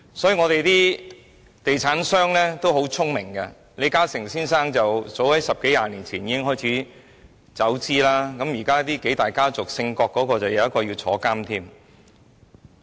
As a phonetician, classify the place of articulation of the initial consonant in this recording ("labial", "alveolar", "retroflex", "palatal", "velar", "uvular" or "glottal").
alveolar